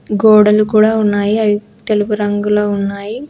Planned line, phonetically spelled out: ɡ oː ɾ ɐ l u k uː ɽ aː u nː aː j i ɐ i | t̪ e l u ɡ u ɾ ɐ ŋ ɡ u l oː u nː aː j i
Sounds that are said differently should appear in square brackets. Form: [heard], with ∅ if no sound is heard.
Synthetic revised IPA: ɡ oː [ɽ] ɐ l u k uː ɽ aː u nː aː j i ɐ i | t̪ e l u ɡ u ɾ ɐ ŋ ɡ u l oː u nː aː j i